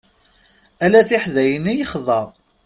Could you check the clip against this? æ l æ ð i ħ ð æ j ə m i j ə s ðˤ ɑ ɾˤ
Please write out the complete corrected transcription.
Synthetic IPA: æ l æ θ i ħ ð æ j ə n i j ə χ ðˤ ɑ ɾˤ